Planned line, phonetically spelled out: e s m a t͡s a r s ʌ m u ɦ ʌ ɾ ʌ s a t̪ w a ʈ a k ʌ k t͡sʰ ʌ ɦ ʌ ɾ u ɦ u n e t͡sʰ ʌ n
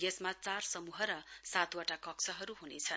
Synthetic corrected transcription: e s m a t͡s a r s ʌ m u ɦ ʌ ɾ ʌ s a t̪ w a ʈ a k ʌ k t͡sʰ ʌ ɦ ʌ ɾ u ɦ u n e t͡sʰ ʌ n